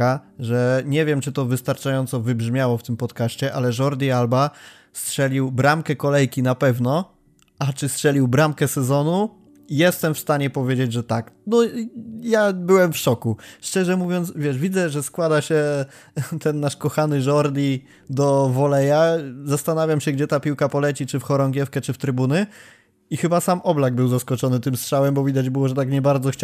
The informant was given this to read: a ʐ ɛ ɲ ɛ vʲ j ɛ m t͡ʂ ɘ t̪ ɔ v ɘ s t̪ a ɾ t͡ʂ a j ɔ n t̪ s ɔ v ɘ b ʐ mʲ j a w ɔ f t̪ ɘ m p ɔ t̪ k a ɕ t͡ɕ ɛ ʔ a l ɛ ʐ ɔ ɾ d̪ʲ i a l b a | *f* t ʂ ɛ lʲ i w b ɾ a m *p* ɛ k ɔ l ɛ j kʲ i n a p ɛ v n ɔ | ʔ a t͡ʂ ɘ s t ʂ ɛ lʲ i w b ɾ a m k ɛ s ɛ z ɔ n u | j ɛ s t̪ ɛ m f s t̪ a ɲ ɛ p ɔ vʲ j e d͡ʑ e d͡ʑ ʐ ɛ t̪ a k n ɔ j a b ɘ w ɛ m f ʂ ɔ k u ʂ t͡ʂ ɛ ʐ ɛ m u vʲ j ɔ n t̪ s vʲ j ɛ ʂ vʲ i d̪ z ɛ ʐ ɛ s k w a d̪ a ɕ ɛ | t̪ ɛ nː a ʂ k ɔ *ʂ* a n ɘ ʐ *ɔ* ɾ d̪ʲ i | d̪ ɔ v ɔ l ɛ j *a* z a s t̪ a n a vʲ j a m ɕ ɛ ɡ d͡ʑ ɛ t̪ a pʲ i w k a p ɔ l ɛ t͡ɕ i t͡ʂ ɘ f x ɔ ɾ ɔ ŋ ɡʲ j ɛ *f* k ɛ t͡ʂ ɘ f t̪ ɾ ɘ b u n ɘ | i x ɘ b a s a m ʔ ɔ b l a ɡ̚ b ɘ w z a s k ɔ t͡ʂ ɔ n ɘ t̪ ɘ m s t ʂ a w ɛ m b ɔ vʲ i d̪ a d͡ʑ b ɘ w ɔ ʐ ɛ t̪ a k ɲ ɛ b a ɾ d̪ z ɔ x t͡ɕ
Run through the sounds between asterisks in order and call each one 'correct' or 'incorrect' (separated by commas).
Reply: incorrect, incorrect, incorrect, correct, correct, correct